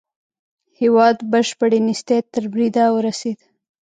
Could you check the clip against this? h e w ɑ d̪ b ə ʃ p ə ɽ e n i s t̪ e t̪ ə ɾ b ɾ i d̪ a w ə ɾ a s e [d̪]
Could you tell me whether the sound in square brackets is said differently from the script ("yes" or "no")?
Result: no